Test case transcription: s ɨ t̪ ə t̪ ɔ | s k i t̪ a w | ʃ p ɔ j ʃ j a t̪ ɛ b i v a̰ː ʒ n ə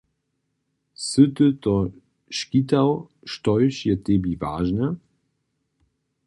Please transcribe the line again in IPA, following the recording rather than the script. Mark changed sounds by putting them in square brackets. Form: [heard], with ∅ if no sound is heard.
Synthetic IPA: s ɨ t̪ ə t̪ ɔ | [ʃ] k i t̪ a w | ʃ [t] ɔ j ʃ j [ɛ] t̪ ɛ b i v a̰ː ʒ n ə